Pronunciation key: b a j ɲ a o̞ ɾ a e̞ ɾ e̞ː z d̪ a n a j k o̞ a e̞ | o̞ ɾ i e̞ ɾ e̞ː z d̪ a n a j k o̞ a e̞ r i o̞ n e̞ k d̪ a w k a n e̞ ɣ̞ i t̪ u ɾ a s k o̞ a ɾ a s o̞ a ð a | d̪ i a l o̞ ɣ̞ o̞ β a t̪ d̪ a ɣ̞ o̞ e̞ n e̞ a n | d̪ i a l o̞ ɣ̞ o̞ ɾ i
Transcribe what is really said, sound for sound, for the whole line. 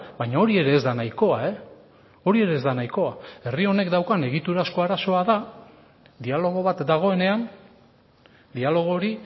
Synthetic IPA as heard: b a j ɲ a o̞ ɾ i e̞ ɾ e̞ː z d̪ a n a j k o̞ a e̞ | o̞ ɾ i e̞ ɾ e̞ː z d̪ a n a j k o̞ a e̞ r i o̞ n e̞ k d̪ a w k a n e̞ ɣ̞ i t̪ u ɾ a s k o̞ a ɾ a s o̞ a ð a | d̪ i a l o̞ ɣ̞ o̞ β a t̪ d̪ a ɣ̞ o̞ e̞ n e̞ a n | d̪ i a l o̞ ɣ̞ o̞ ɾ i